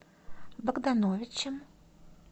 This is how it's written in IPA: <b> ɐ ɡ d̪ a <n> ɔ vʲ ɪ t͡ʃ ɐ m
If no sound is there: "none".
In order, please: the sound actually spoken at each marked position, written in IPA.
b, n

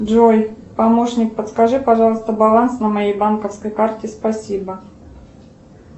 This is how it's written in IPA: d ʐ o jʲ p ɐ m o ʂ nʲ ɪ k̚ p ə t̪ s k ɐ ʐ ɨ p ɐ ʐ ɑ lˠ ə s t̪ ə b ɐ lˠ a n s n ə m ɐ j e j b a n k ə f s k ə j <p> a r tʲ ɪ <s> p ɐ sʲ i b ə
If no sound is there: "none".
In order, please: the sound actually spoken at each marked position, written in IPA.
k, s

